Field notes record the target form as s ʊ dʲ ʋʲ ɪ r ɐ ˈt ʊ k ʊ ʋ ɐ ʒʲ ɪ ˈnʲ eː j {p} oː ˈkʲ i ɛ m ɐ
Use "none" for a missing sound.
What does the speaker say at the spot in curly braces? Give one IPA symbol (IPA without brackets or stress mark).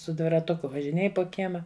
p